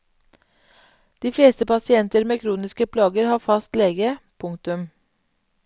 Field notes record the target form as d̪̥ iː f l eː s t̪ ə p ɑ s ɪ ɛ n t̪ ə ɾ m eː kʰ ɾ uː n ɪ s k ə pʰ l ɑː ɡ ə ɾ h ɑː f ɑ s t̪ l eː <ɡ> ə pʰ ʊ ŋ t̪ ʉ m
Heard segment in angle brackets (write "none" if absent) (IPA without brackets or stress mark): ɡ